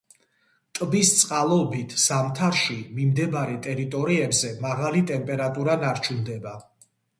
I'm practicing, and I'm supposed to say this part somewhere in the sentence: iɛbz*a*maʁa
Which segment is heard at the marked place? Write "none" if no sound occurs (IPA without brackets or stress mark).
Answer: ɛ